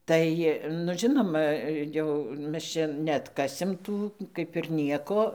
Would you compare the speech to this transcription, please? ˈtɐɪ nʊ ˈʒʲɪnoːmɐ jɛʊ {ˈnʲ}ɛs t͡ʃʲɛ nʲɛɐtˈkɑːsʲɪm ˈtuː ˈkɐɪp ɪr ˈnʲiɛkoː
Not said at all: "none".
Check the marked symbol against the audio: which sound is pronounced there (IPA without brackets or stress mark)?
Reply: mʲ